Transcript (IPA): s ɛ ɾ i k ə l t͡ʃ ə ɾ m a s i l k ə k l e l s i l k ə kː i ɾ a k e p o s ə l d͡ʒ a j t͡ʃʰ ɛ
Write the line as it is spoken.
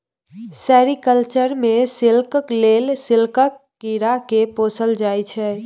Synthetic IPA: s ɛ ɾ i k ə l t͡ʃ ə ɾ m e s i l k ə k l e l s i l k ə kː i ɾ a k e p o s ə l d͡ʒ a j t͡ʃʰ ɛ

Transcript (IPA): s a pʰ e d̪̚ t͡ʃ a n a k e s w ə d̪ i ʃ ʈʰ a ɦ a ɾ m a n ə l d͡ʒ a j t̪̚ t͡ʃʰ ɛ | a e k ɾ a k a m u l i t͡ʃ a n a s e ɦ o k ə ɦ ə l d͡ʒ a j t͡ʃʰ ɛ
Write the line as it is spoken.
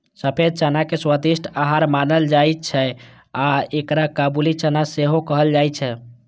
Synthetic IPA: s ə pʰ e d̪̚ t͡ʃ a n a k e s w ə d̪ i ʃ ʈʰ a ɦ a ɾ m a n ə l d͡ʒ a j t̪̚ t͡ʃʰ ɛ | a e k ɾ a k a b u l i t͡ʃ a n a s e ɦ o k ə ɦ ə l d͡ʒ a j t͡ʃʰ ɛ

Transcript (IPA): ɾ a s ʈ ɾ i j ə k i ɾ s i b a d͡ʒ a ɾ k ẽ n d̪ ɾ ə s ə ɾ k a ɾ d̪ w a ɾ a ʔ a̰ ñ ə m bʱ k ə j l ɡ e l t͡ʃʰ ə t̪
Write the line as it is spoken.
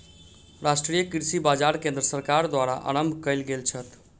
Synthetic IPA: ɾ a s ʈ ɾ i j ə k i ɾ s i b a d͡ʒ a ɾ k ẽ n d̪ ɾ ə s ə ɾ k a ɾ d̪ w a ɾ a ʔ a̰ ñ ə m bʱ k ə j l ɡ e l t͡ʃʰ ə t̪

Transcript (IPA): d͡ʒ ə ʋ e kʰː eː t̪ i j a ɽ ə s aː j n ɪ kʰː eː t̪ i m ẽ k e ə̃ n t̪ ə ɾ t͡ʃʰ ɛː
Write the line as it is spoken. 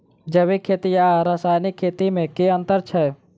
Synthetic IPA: d͡ʒ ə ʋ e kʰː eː t̪ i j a ɾ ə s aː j n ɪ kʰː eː t̪ i m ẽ k e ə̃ n t̪ ə ɾ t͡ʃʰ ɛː

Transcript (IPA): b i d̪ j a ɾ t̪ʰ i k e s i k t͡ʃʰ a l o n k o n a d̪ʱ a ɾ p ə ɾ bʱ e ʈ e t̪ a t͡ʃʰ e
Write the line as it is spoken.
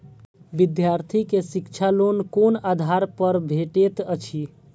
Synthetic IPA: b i d̪ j a ɾ t̪ʰ i k e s i k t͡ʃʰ a l o n k o n a d̪ʱ a ɾ p ə ɾ bʱ e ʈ e t̪ ə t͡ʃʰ i

